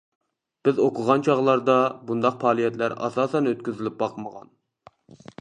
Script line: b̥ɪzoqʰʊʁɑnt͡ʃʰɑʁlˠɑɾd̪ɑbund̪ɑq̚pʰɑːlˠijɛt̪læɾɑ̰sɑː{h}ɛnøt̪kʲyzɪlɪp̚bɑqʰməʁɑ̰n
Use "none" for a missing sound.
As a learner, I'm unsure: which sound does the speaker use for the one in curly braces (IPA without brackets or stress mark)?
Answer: s